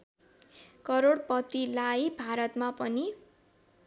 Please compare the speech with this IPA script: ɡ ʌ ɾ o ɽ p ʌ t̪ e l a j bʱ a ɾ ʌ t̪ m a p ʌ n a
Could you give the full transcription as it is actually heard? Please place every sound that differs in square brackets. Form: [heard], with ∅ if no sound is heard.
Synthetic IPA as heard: [k] ʌ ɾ o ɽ p ʌ t̪ [i] l a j bʱ a ɾ ʌ t̪ m a p ʌ n [i]

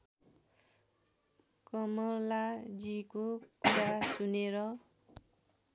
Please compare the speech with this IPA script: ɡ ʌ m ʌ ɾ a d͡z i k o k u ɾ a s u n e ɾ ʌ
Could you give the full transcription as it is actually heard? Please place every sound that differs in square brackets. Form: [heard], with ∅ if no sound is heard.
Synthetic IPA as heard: [k] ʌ m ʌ [l] a d͡z i k o k u ɾ a s u n e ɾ ʌ

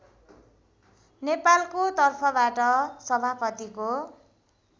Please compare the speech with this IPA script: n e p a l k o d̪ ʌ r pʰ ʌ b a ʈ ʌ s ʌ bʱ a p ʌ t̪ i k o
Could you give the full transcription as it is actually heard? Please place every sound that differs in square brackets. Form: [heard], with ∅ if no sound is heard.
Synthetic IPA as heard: n e p a l k o [t̪] ʌ r pʰ ʌ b a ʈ ʌ s ʌ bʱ a p ʌ t̪ i k o

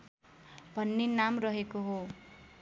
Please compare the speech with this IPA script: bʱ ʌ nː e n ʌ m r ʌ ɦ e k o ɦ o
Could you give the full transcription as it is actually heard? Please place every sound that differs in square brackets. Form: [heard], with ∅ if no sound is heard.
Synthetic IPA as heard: bʱ ʌ nː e n [a] m r ʌ ɦ e k o ɦ o

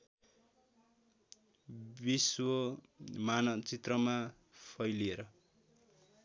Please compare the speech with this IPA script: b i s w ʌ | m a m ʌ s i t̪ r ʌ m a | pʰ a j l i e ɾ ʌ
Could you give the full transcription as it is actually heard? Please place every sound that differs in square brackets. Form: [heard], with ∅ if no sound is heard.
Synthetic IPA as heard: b i s w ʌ | m a [n] ʌ [t͡s] i t̪ r ʌ m a | pʰ [ʌ] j l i e ɾ ʌ

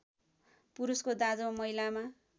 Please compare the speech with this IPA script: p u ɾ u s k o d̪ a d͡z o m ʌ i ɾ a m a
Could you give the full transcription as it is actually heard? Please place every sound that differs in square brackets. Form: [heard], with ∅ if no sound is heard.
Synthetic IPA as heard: p u ɾ u s k o d̪ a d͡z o m ʌ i [l] a m a

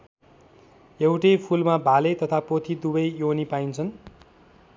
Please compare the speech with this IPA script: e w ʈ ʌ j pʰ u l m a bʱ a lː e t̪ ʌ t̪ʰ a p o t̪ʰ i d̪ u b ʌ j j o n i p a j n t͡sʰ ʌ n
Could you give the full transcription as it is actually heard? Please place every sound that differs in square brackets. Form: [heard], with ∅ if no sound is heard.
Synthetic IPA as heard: e w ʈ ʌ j pʰ u l m a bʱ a [l] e t̪ ʌ t̪ʰ a p o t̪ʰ i d̪ u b ʌ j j o n i p a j n t͡sʰ ʌ n

